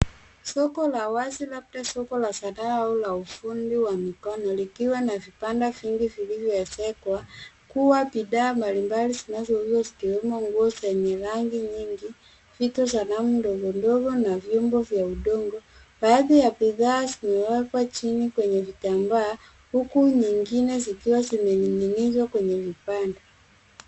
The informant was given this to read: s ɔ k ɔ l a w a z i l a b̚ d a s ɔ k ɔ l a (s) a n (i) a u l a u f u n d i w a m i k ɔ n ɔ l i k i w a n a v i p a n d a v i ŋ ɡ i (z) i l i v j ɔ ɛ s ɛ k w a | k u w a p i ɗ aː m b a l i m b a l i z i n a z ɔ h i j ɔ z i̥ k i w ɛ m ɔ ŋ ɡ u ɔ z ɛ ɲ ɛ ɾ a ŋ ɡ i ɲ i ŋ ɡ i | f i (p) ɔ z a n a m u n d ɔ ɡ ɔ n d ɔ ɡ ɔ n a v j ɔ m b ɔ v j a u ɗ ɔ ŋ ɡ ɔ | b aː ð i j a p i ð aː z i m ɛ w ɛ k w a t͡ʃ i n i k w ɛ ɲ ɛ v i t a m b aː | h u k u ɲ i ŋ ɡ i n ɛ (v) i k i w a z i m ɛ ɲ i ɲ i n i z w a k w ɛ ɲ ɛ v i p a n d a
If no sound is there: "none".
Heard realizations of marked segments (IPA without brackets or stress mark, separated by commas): s, a, v, t, z